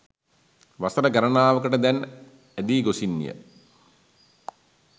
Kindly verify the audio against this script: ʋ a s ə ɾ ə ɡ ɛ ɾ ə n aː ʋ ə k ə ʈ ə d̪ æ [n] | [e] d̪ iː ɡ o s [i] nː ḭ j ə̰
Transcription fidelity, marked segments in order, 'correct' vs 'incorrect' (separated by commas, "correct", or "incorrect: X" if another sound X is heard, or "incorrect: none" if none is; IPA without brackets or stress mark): correct, incorrect: æ, correct